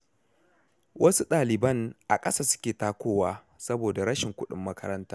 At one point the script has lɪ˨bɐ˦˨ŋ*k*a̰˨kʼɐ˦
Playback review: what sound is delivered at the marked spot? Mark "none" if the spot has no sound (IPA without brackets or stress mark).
ʔ